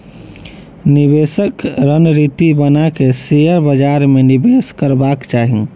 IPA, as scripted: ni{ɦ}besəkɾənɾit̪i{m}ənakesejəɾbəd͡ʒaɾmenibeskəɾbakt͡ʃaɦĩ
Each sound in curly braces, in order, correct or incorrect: incorrect, incorrect

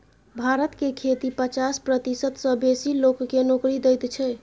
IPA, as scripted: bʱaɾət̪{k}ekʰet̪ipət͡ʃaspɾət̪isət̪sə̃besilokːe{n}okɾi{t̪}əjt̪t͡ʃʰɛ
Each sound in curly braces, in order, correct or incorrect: correct, correct, incorrect

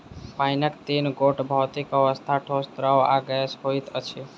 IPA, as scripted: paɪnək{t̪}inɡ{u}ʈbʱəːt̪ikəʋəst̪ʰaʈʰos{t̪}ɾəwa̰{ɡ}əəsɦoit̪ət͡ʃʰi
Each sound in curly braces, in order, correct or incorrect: correct, incorrect, correct, correct

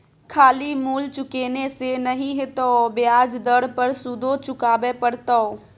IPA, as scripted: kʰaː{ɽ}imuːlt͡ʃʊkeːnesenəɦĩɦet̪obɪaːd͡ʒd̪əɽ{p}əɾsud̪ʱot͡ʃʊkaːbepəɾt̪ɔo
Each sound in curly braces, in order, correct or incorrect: incorrect, correct

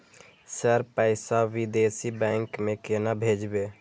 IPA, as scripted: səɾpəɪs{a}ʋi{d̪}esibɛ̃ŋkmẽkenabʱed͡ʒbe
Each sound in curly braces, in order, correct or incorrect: correct, correct

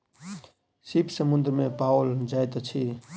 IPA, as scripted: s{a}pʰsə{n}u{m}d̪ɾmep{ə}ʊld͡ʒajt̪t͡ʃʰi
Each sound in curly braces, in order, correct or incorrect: incorrect, incorrect, incorrect, incorrect

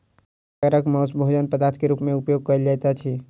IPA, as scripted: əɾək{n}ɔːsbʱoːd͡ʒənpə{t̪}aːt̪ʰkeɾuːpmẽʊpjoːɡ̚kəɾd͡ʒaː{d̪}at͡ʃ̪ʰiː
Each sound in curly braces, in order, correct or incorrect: incorrect, incorrect, incorrect

